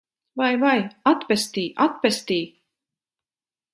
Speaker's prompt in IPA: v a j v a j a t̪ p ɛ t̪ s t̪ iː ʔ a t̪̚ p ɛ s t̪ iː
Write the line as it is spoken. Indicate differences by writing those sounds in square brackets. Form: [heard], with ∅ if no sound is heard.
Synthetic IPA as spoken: v a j v a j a t̪ p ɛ [∅] s t̪ iː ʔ a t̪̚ p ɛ s t̪ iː